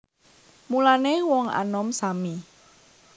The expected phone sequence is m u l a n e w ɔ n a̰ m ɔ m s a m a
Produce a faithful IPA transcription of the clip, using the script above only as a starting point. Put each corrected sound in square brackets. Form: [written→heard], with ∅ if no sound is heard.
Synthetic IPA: m u l a n e w ɔ [n→ŋ] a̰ [m→n] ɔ m s a m [a→i]